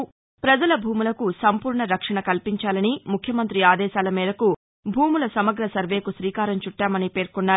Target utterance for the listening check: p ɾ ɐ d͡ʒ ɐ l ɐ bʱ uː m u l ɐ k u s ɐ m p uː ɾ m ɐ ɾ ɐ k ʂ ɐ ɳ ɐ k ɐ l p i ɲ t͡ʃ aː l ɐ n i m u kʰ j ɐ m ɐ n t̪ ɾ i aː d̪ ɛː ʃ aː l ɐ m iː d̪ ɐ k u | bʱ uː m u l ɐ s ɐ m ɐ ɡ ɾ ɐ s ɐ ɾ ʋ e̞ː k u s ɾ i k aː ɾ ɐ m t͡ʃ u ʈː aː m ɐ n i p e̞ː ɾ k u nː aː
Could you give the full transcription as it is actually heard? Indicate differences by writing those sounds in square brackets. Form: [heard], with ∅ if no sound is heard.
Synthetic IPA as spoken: p ɾ ɐ d͡ʒ ɐ l ɐ bʱ uː m u l ɐ k u s ɐ m p uː ɾ [ɳ] ɐ ɾ ɐ k ʂ ɐ ɳ ɐ k ɐ l p i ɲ t͡ʃ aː l ɐ n i m u kʰ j ɐ m ɐ n t̪ ɾ i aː d̪ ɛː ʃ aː l ɐ m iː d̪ ɐ k u | bʱ uː m u l ɐ s ɐ m ɐ ɡ ɾ ɐ s ɐ ɾ ʋ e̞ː k u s ɾ [iː] k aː ɾ ɐ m t͡ʃ u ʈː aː m ɐ n i p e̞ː ɾ k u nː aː